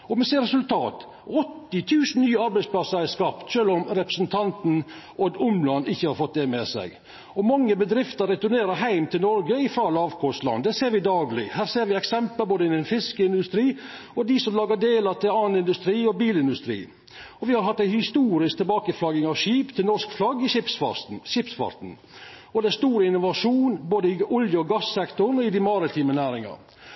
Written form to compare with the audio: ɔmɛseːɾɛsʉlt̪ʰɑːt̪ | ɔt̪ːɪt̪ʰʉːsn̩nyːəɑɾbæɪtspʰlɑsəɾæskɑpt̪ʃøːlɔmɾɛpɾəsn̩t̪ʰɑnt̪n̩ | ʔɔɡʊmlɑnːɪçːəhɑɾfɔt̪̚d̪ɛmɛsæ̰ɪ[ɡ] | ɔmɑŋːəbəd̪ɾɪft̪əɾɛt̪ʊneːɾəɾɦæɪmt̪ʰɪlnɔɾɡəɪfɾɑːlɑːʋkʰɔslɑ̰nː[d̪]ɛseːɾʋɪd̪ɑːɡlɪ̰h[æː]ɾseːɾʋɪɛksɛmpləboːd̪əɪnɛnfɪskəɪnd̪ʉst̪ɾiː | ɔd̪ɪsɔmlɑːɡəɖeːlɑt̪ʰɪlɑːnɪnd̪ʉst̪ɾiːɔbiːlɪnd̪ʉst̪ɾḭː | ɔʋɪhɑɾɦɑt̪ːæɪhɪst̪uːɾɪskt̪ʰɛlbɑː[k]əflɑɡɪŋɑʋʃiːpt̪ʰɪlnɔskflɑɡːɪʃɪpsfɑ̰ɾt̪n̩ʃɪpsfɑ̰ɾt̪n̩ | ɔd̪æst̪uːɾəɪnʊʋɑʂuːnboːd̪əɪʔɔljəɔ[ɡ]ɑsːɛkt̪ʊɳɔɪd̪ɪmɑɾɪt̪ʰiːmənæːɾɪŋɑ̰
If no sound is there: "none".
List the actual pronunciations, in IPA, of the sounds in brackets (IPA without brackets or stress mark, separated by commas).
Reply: ɡ, d̪, æː, k, ɡ